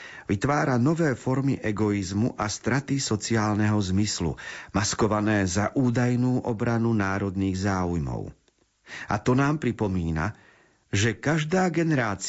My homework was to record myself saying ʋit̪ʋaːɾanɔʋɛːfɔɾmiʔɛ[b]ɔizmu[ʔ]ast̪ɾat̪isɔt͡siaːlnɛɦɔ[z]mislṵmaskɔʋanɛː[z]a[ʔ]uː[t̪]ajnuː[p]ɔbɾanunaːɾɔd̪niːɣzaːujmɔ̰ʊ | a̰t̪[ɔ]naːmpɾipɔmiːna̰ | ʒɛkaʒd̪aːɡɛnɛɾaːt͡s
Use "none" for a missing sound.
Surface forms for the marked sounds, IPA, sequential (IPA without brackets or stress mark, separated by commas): ɡ, ʔ, z, z, ʔ, d̪, ʔ, ɔ